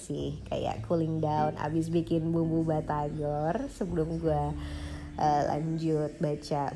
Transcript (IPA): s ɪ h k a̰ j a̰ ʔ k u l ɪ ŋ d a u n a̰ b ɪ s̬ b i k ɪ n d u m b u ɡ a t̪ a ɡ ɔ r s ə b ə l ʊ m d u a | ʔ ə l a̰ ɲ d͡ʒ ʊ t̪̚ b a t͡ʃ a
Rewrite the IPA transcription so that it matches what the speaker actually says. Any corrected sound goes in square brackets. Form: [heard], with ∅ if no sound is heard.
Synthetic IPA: s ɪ h k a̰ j a̰ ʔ k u l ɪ ŋ d a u n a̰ b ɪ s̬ b i k ɪ n [b] u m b u [b] a t̪ a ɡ ɔ r s ə b ə l ʊ m [ɡ] u a | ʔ ə l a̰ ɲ d͡ʒ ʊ t̪̚ b a t͡ʃ a